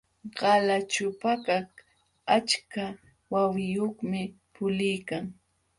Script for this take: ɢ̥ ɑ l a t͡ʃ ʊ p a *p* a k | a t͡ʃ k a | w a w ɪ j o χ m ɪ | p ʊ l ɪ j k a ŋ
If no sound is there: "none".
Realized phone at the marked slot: k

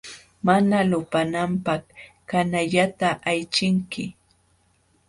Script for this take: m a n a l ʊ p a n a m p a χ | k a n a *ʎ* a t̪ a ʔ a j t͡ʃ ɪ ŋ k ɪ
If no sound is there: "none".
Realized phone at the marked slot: ʎ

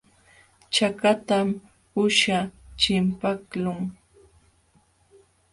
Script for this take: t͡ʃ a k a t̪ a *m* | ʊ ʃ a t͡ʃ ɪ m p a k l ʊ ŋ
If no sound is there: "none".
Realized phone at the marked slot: m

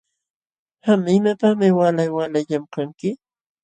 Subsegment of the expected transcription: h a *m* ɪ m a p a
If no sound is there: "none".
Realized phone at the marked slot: m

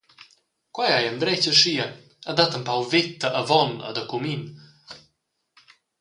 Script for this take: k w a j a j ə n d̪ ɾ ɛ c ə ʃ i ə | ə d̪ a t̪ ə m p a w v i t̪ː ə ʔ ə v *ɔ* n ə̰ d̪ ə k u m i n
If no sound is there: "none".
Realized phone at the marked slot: ɔ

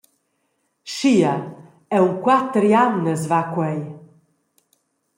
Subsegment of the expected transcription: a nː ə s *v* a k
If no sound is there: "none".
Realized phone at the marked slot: v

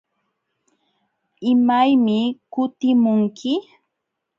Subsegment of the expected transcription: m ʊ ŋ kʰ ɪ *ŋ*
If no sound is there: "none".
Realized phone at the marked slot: none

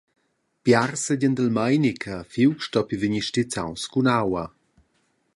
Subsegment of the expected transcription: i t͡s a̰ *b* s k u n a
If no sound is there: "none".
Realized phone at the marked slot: w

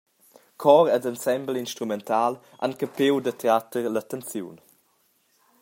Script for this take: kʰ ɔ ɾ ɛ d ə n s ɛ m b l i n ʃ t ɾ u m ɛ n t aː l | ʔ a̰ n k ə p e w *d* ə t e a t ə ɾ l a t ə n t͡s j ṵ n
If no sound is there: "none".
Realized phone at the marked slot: d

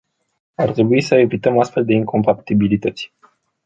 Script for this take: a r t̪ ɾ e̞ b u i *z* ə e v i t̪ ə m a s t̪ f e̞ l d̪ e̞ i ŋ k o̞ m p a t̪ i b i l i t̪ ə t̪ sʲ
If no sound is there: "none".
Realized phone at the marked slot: s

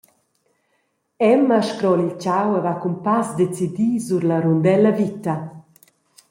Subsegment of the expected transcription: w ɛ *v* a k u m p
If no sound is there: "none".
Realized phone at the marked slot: v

